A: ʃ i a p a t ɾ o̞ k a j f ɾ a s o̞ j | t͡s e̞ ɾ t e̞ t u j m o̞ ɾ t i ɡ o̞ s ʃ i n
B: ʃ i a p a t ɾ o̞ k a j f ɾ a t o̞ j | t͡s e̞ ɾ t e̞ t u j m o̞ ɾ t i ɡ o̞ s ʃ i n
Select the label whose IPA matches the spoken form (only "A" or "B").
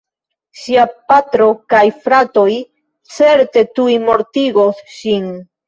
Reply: B